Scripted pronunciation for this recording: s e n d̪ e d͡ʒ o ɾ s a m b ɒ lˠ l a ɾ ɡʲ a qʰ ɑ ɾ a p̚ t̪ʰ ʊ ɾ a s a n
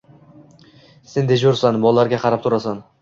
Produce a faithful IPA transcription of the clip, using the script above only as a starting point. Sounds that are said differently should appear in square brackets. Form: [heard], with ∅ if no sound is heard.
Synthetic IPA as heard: s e n d̪ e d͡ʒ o ɾ s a [n] b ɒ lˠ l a ɾ ɡʲ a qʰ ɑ ɾ a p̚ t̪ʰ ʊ ɾ a s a n